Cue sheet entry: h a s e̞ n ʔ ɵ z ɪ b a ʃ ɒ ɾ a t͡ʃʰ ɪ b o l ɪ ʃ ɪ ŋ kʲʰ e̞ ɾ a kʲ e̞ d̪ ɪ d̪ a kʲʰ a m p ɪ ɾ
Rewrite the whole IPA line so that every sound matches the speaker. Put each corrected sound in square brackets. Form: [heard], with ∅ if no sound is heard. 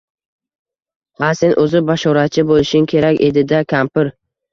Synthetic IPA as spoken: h a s e̞ n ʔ ɵ z ɪ b a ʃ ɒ ɾ a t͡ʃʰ ɪ b o l ɪ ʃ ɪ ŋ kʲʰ e̞ ɾ a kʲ e̞ d̪ ɪ d̪ a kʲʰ a m p ɪ ɾ